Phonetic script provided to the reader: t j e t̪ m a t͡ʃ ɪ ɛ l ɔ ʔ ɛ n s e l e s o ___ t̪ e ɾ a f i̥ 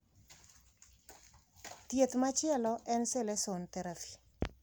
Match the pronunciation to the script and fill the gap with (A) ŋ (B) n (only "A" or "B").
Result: B